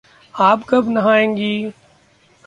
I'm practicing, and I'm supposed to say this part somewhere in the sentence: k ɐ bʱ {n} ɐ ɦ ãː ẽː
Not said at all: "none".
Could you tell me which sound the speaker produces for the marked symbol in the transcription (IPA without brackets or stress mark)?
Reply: n